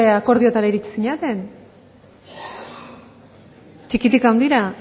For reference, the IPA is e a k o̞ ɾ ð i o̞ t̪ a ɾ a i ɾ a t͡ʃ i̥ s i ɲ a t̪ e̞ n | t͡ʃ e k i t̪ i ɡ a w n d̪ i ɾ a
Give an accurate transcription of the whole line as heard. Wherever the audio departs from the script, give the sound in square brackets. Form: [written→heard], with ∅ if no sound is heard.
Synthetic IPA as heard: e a k o̞ ɾ ð i o̞ t̪ a ɾ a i ɾ [a→i] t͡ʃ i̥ s i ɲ a t̪ e̞ n | t͡ʃ [e→i] k i t̪ i [ɡ→k] a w n d̪ i ɾ a